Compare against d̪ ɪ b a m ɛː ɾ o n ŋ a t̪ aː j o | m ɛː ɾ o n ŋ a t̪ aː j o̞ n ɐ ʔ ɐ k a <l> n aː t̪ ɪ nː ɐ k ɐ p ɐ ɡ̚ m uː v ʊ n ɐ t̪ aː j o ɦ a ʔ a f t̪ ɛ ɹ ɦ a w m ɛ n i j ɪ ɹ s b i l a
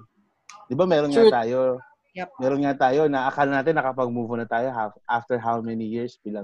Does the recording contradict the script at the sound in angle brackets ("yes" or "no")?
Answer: no